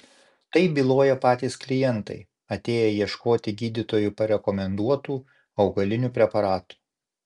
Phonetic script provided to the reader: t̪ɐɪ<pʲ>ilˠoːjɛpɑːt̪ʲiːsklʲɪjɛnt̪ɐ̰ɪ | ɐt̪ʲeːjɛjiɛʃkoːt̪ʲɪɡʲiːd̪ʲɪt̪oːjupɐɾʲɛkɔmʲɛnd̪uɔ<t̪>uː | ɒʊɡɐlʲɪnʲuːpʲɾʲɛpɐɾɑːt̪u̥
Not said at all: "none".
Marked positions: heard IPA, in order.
bʲ, t̪

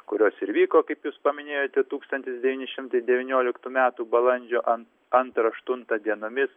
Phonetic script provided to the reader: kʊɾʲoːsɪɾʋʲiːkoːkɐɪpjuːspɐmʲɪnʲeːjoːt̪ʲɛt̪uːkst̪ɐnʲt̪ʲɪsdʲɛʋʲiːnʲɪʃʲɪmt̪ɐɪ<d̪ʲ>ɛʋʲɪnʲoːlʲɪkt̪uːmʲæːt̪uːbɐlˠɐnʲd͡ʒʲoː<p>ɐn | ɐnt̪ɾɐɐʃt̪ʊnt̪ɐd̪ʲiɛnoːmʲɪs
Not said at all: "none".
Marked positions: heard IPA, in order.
d̪ʲ, ʔ

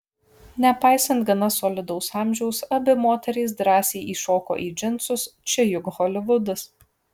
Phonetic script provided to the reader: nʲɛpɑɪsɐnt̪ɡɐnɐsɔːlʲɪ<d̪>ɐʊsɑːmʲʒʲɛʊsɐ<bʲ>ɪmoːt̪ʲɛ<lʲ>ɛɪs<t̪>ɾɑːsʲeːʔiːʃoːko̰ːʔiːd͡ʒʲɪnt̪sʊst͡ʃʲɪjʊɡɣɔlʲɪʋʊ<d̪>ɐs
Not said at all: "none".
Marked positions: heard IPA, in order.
d̪, bʲ, ɾʲ, d̪, d̪

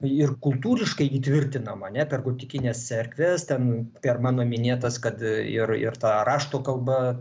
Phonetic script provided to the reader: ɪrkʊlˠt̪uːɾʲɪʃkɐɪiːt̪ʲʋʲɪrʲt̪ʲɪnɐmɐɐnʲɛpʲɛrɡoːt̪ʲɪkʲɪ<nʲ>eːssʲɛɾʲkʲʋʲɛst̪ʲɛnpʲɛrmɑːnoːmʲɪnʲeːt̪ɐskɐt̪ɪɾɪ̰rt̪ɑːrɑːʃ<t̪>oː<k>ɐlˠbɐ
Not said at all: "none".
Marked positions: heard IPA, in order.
nʲ, t̪, k

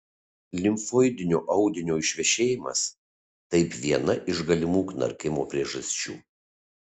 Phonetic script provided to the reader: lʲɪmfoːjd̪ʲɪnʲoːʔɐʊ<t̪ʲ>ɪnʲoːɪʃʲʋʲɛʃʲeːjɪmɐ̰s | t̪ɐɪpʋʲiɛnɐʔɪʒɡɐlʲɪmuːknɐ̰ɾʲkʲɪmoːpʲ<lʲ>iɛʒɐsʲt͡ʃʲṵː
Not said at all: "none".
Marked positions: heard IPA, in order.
d̪ʲ, ɾʲ

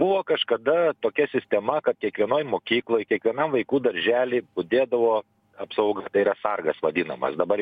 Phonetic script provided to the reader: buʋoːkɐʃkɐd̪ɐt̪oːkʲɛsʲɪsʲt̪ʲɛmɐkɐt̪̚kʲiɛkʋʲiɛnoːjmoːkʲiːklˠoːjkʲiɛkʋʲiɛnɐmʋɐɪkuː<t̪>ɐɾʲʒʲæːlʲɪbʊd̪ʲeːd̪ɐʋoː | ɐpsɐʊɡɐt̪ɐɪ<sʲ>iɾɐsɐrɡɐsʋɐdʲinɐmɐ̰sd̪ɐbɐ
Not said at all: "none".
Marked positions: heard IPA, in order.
d̪, none

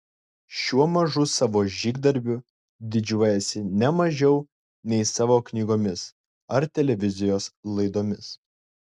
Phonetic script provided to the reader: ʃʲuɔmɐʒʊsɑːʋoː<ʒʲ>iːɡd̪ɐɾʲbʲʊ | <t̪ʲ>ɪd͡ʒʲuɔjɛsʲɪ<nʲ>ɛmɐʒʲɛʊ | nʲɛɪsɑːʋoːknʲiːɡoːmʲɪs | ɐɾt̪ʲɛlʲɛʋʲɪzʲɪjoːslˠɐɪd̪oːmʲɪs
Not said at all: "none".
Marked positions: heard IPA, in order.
ʒʲ, d̪ʲ, nʲ

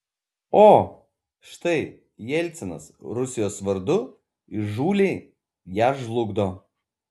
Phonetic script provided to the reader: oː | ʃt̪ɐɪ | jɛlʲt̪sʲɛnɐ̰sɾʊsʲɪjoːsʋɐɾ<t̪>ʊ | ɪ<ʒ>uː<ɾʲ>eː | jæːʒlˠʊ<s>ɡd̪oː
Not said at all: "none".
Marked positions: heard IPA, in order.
d̪, ʒ, lʲ, none

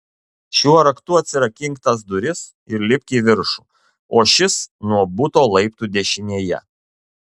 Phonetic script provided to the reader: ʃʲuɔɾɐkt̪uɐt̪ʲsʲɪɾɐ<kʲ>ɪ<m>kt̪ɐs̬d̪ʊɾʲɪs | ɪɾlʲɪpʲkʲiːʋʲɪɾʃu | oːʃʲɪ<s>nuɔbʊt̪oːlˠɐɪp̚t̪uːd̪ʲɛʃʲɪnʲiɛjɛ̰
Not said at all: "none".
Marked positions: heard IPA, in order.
kʲ, ŋ, s

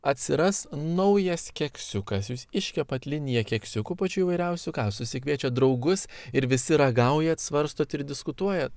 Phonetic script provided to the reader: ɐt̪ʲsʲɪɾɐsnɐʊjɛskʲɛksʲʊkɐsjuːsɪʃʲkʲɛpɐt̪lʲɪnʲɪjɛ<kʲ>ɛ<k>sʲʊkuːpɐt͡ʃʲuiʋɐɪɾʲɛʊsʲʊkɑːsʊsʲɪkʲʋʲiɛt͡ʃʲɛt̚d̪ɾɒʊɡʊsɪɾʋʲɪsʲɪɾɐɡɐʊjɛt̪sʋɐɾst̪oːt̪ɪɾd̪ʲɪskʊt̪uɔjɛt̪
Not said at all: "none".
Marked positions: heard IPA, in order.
kʲ, k

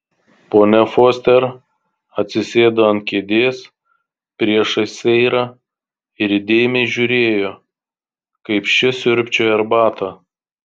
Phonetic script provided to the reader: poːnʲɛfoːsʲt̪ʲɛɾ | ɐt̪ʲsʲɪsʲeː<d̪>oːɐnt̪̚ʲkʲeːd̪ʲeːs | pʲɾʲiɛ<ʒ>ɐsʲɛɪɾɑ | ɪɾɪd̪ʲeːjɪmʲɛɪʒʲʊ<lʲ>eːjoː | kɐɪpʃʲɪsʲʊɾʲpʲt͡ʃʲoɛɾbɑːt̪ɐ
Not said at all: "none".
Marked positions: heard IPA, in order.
d̪, ʃ, ɾʲ

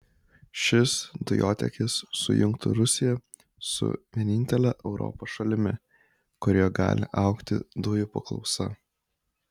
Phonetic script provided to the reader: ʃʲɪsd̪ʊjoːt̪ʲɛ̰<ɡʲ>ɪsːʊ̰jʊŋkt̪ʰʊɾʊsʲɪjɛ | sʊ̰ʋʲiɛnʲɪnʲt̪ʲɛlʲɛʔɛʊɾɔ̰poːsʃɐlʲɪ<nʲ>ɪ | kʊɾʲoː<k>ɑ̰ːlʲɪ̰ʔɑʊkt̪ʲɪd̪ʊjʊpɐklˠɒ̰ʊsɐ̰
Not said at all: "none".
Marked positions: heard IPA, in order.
kʲ, mʲ, ɡ

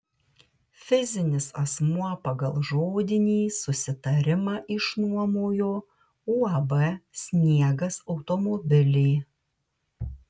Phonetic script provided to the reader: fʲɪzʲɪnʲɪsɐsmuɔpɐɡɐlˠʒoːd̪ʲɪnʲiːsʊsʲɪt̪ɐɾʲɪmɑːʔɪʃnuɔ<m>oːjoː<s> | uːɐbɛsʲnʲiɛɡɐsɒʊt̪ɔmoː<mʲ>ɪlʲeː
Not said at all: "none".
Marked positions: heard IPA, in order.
m, none, bʲ

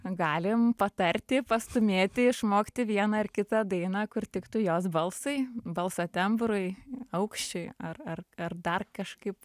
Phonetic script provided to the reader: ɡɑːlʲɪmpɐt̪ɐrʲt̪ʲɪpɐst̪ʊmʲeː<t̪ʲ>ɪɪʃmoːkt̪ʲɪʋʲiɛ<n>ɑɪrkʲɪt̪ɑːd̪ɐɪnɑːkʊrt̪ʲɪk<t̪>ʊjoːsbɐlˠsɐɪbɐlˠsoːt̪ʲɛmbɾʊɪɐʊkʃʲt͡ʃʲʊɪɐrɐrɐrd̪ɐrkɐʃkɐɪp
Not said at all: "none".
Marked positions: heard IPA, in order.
t̪ʲ, n, t̪

